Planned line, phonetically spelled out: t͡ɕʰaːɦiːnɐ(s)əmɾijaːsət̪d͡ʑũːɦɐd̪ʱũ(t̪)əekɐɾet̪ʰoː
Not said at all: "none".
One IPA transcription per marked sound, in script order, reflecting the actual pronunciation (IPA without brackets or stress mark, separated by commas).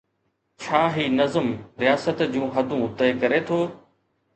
z, t̪